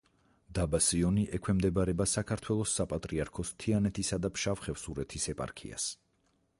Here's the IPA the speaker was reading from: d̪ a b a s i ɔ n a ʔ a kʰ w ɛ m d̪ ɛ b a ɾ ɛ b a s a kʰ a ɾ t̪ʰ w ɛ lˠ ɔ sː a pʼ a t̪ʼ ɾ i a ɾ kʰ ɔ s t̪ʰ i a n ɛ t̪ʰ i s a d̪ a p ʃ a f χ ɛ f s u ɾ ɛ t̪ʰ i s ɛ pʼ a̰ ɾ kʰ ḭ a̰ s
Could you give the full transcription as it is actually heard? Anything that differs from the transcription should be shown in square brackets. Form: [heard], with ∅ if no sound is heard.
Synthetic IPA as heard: d̪ a b a s i ɔ n [i] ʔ [ɛ] kʰ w ɛ m d̪ ɛ b a ɾ ɛ b a s a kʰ a ɾ t̪ʰ w ɛ lˠ ɔ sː a pʼ a t̪ʼ ɾ i a ɾ kʰ ɔ s t̪ʰ i a n ɛ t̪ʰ i s a d̪ a p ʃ a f χ ɛ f s u ɾ ɛ t̪ʰ i s ɛ pʼ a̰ ɾ kʰ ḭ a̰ s